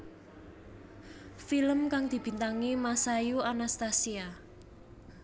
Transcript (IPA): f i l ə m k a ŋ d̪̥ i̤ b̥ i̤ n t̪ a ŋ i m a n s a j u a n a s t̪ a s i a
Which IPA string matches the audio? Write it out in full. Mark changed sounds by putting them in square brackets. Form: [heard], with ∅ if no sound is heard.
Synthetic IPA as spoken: f i l ə m k a ŋ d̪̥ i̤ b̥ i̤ n t̪ a ŋ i m a [∅] s a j u a n a s t̪ a s i a